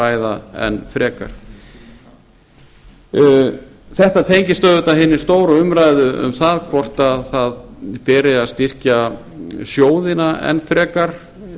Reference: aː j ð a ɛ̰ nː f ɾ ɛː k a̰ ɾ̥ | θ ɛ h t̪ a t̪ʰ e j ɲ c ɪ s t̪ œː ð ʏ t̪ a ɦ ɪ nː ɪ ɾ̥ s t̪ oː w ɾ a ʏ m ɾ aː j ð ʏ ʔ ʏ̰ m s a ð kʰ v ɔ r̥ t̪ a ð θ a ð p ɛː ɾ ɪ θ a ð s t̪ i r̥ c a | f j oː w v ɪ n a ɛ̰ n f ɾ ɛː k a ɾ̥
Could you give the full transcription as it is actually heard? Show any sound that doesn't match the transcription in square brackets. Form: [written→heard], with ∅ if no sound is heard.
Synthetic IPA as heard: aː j ð a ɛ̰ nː f ɾ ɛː k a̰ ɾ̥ | θ ɛ h t̪ a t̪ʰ e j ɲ c ɪ s t̪ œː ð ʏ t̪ a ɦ ɪ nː ɪ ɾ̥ s t̪ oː w ɾ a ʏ m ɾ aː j ð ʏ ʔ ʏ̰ m [s→θ] a ð kʰ v ɔ r̥ t̪ a ð θ a ð p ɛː ɾ ɪ [θ→∅] a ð s t̪ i r̥ c a | [f→s] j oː w [v→ð] ɪ n a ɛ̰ n f ɾ ɛː k a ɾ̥